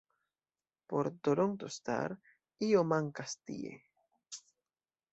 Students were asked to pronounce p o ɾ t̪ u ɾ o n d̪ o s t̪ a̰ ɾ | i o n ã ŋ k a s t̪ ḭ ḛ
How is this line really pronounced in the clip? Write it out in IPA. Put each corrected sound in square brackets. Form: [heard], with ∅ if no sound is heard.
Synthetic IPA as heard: p o ɾ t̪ [o] ɾ o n [t̪] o s t̪ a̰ ɾ | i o [m] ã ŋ k a s t̪ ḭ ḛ